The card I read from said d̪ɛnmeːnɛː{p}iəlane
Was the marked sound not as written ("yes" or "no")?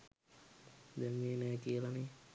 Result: yes